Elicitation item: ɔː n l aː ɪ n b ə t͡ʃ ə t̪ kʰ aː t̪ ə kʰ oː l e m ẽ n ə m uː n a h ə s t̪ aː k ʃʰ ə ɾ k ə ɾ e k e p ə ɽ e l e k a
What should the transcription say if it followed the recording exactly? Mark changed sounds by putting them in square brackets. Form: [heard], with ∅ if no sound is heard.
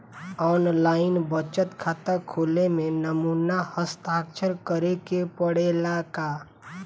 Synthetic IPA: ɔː n l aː ɪ n b ə t͡ʃ ə t̪ kʰ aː t̪ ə kʰ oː l e m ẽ n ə m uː n a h ə s t̪ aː k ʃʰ ə ɾ k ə ɾ e k e p ə ɽ e l [a] k a

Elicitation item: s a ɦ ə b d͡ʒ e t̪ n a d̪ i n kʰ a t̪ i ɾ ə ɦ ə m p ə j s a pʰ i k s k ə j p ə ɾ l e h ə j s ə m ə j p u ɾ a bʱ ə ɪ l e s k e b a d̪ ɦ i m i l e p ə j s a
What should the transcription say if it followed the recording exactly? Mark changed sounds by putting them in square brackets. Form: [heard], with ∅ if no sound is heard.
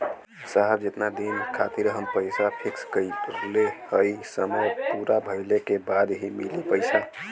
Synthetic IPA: s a ɦ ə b d͡ʒ e t̪ n a d̪ i n kʰ a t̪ i ɾ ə ɦ ə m p ə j s a pʰ i k s k ə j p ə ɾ l e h ə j s ə m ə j p u ɾ a bʱ ə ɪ l e [∅] k e b a d̪ ɦ i m i l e p ə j s a

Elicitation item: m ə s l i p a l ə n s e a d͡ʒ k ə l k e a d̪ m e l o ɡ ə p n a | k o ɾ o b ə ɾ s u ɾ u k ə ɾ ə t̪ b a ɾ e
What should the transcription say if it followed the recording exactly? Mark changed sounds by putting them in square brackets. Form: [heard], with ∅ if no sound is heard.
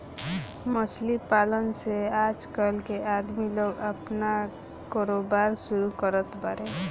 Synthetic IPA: m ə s l i p a l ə n s e a d͡ʒ k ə l k e a d̪ m [i] l o ɡ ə p n a | k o ɾ o b [a] ɾ s u ɾ u k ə ɾ ə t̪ b a ɾ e

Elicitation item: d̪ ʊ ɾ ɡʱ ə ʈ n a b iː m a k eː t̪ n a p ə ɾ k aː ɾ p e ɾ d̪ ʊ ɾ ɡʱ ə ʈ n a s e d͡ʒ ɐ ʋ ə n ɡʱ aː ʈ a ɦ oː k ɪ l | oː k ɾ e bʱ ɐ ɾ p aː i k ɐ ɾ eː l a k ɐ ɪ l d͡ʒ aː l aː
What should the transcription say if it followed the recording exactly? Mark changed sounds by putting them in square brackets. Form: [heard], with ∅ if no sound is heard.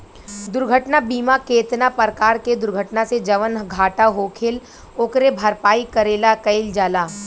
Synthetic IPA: d̪ ʊ ɾ ɡʱ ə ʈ n a b iː m a k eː t̪ n a p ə ɾ k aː ɾ [k] e [∅] d̪ ʊ ɾ ɡʱ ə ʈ n a s e d͡ʒ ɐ ʋ ə n ɡʱ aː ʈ a ɦ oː [kʰ] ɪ l | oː k ɾ e bʱ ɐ ɾ p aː i k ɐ ɾ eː l a k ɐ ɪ l d͡ʒ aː l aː

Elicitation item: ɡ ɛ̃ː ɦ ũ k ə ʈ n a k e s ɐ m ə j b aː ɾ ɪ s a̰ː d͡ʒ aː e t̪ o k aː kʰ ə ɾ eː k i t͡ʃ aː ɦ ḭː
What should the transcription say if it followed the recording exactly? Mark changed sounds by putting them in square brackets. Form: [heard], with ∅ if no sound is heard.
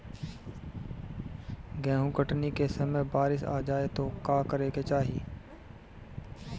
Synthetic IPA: ɡ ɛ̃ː ɦ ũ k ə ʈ n [i] k e s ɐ m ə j b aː ɾ ɪ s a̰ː d͡ʒ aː e t̪ o k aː [k] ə ɾ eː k [e] t͡ʃ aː ɦ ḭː

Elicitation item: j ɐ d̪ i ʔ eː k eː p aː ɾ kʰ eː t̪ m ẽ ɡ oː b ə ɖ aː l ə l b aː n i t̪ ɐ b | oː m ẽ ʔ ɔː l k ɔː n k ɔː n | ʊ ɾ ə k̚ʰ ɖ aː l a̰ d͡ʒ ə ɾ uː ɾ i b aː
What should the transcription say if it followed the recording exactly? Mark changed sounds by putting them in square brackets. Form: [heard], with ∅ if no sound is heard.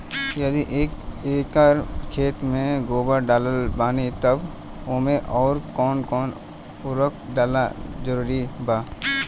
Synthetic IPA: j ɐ d̪ i ʔ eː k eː [k] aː ɾ kʰ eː t̪ m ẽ ɡ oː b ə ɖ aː l ə l b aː n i t̪ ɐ b | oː m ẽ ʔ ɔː [ɾ] k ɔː n k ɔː n | ʊ ɾ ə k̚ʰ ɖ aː l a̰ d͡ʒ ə ɾ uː ɾ i b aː

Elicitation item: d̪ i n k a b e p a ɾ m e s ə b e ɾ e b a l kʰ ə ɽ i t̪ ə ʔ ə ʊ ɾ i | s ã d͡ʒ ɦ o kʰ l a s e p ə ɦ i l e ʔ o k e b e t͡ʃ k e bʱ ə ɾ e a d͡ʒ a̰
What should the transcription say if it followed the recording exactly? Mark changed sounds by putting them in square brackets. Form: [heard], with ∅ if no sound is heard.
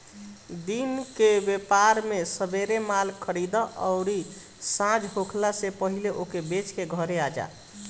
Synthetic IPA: d̪ i n k [e] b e p a ɾ m e s ə b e ɾ e [m] a l kʰ ə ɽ i [d̪] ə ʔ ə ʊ ɾ i | s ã d͡ʒ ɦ o kʰ l a s e p ə ɦ i l e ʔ o k e b e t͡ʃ k e [ɡʱ] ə ɾ e a d͡ʒ a̰

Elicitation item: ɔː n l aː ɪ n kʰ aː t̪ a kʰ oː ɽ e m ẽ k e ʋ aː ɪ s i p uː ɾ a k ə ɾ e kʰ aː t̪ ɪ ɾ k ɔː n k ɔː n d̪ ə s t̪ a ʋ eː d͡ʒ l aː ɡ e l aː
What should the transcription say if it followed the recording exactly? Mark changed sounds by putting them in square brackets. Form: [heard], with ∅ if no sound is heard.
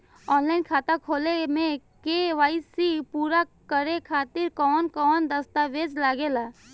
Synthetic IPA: ɔː n l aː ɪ n kʰ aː t̪ a kʰ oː [l] e m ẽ k e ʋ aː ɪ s i p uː ɾ a k ə ɾ e kʰ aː t̪ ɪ ɾ k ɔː n k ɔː n d̪ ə s t̪ a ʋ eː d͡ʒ l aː ɡ e l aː

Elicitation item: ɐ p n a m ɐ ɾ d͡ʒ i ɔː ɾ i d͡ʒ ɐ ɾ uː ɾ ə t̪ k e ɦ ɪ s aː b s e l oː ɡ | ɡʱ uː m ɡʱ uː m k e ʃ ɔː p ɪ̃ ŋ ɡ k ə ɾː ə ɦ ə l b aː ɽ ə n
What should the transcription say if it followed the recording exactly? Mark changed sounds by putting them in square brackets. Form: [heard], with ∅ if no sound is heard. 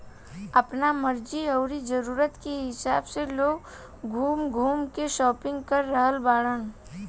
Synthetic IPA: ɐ p n a m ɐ ɾ d͡ʒ i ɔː ɾ i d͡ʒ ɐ ɾ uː ɾ ə t̪ k e ɦ ɪ s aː b s e l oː ɡ | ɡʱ uː m ɡʱ uː m k e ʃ ɔː p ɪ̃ ŋ ɡ k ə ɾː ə ɦ ə l b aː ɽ ə n

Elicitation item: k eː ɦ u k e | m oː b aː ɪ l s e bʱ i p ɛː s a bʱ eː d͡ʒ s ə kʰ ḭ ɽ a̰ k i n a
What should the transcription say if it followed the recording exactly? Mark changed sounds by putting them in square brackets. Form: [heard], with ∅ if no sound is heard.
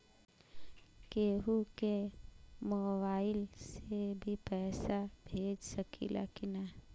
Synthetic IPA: k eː ɦ u k e | m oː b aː ɪ l s e bʱ i p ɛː s a bʱ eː d͡ʒ s ə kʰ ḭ [l] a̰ k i n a

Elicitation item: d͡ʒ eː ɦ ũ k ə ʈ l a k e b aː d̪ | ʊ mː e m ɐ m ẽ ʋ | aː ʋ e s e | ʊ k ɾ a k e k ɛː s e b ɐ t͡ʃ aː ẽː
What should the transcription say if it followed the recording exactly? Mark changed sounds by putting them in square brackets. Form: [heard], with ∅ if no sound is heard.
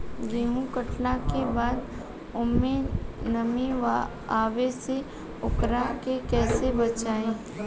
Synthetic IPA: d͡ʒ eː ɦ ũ k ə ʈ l a k e b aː d̪ | ʊ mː e [n] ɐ m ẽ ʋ | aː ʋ e s e | ʊ k ɾ a k e k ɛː s e b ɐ t͡ʃ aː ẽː

